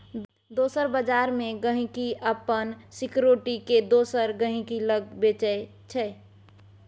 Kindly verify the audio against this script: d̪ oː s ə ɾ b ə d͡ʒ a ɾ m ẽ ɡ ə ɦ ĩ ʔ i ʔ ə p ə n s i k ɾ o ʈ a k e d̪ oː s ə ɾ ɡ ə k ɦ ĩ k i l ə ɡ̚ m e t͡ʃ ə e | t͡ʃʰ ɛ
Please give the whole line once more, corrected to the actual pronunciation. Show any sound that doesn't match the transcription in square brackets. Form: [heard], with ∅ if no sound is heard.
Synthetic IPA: d̪ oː s ə ɾ b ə d͡ʒ a ɾ m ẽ ɡ ə ɦ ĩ [k] i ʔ ə p ə n s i k ɾ o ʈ [i] k e d̪ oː s ə ɾ ɡ ə [∅] ɦ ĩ k i l ə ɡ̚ [b] e t͡ʃ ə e | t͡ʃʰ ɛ